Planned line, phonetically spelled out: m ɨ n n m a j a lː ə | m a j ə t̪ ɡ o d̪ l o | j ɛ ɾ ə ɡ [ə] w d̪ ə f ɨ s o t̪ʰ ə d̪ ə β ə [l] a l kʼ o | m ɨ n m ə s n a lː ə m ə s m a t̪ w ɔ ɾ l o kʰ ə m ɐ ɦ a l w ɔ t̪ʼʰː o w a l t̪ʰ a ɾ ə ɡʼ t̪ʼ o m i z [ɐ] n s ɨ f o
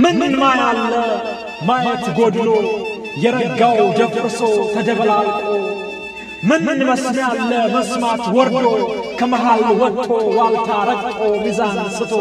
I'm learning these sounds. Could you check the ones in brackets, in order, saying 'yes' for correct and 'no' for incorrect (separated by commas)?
no, yes, no